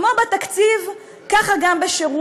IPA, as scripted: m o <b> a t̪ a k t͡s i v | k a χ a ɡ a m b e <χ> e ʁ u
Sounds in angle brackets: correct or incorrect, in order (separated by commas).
correct, incorrect